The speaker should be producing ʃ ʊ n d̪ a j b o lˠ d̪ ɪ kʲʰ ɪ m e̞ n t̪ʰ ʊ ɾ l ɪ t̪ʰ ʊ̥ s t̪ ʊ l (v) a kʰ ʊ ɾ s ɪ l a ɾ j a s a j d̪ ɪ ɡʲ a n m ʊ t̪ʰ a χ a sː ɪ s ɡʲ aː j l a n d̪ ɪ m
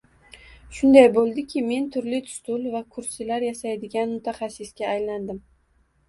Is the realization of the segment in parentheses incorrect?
no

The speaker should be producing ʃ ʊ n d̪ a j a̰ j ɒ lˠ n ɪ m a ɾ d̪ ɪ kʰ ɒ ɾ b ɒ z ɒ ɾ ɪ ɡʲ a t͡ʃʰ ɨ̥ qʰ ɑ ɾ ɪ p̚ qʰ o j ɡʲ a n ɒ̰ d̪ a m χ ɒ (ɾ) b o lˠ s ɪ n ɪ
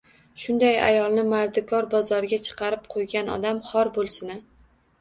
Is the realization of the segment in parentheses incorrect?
no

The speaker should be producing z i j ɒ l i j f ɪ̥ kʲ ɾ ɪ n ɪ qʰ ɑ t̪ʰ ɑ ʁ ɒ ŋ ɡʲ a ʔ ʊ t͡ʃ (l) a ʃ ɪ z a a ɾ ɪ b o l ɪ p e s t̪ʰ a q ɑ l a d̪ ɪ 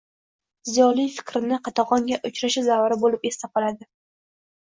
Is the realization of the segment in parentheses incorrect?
yes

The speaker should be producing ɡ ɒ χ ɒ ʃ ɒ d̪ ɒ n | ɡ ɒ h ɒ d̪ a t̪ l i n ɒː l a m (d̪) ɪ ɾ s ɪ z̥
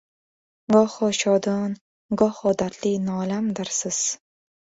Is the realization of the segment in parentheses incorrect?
no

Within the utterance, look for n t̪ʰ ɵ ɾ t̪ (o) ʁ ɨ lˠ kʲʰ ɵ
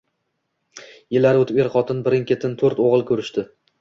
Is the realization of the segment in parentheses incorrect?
no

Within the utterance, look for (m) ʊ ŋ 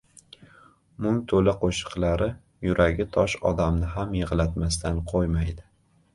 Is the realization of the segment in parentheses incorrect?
no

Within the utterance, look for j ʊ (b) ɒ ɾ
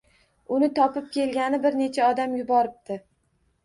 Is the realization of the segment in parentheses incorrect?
no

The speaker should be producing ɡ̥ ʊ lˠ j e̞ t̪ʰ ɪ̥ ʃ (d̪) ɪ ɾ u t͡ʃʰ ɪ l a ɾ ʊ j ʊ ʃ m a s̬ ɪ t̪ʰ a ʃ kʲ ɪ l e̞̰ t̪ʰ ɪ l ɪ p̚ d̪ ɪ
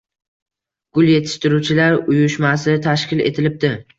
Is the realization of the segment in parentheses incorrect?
yes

